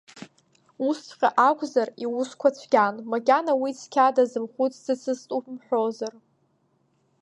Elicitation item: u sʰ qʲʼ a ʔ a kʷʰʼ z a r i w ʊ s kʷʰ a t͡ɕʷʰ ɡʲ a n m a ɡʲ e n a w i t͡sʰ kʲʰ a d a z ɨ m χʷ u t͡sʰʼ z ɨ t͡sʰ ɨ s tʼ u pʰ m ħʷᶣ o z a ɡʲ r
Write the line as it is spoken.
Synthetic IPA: u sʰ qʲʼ a ʔ a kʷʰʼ z a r i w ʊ s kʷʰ a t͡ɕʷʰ ɡʲ a n m a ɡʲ a n a w i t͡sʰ kʲʰ a d a z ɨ m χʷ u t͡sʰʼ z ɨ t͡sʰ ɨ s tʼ u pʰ m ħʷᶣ o z a r